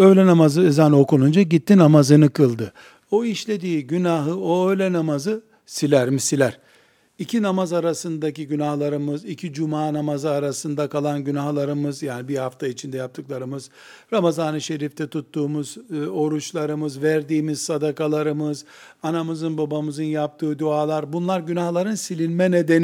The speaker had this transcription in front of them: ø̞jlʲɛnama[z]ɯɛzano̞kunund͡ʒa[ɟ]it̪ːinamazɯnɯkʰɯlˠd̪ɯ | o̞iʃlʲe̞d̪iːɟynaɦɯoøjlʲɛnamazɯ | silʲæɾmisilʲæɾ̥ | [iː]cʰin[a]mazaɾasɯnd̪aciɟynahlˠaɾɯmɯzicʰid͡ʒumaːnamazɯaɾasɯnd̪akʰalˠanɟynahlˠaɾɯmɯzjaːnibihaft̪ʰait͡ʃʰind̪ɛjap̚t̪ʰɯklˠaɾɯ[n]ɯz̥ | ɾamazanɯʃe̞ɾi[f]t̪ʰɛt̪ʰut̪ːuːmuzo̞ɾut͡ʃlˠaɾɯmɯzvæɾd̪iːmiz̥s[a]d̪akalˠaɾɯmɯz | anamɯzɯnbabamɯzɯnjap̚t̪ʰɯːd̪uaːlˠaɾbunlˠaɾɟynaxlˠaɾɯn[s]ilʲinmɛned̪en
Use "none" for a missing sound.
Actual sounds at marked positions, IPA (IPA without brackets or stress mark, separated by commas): z, ɟ, i, a, m, f, a, s